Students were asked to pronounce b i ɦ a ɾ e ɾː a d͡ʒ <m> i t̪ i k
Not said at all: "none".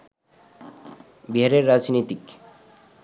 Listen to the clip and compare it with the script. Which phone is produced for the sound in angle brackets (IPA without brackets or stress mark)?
n